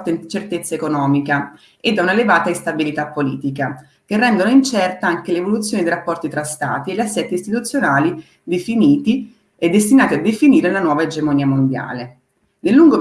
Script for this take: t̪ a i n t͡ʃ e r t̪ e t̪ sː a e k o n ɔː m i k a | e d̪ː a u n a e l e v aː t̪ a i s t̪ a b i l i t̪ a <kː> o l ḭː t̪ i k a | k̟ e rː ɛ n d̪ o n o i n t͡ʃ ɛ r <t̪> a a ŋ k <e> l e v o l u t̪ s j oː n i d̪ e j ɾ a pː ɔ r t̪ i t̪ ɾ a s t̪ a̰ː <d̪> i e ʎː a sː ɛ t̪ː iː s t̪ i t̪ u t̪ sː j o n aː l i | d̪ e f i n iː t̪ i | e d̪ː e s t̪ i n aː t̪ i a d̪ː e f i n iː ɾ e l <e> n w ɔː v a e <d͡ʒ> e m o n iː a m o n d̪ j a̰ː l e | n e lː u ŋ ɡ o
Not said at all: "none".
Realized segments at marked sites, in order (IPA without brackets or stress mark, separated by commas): pː, t̪, e, t̪, a, d͡ʒ